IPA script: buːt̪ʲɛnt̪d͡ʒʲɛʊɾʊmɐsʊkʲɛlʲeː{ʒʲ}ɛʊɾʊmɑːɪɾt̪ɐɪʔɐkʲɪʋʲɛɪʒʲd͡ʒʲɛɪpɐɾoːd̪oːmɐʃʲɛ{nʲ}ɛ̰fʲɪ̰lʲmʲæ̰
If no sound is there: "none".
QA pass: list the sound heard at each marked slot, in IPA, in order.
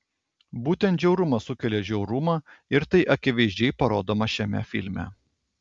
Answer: ʒʲ, mʲ

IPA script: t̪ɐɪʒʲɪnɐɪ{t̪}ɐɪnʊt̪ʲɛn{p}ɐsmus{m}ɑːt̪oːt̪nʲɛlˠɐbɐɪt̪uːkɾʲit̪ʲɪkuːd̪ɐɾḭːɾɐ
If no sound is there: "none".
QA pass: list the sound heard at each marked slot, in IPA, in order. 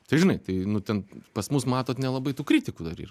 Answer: t̪, p, m

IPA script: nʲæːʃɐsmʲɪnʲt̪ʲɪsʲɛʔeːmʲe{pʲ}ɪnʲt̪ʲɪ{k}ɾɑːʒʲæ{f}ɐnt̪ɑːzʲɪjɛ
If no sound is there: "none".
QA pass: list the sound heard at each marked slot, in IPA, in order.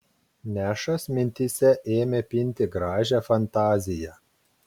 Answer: pʲ, ɡ, f

